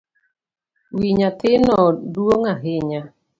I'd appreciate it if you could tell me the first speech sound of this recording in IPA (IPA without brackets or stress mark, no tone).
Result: w